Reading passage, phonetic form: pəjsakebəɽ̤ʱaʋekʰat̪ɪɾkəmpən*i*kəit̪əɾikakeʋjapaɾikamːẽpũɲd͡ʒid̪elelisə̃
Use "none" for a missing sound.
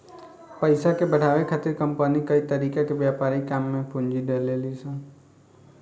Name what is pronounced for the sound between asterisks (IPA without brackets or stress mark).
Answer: i